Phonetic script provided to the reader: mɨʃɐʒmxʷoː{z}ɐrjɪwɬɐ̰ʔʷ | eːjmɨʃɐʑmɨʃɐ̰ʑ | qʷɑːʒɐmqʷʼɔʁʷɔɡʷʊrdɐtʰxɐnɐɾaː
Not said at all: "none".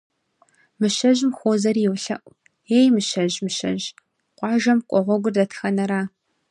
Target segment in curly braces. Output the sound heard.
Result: z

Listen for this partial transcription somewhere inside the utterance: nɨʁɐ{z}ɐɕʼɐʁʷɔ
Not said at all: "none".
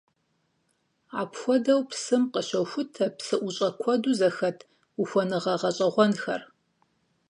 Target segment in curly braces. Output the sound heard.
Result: ʁ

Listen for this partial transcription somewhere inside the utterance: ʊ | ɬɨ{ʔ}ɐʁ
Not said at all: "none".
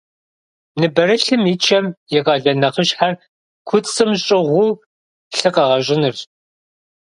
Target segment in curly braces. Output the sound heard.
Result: q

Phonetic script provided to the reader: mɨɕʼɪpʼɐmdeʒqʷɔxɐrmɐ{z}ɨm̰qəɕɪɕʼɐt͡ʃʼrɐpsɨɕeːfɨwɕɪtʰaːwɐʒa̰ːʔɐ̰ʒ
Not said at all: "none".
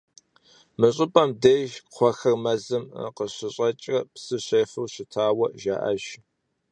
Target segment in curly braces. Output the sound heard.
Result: z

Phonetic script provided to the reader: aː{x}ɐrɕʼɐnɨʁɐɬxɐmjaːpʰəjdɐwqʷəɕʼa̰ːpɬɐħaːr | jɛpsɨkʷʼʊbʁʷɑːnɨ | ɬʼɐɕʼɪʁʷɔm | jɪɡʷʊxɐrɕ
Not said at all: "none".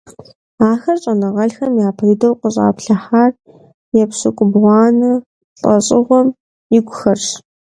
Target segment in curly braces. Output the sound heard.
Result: x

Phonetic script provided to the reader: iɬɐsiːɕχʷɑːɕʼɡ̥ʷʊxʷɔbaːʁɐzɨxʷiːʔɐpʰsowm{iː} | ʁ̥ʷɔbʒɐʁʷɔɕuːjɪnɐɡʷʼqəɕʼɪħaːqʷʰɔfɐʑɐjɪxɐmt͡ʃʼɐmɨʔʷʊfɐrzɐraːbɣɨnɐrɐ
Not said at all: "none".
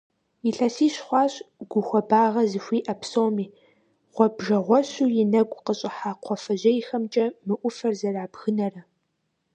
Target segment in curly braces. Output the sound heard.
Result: iː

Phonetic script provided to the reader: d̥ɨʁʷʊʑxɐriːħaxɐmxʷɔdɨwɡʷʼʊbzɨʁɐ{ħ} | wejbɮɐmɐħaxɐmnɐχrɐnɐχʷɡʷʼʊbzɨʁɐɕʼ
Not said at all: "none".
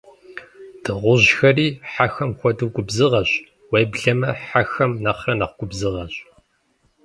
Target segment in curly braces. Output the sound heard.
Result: ɕ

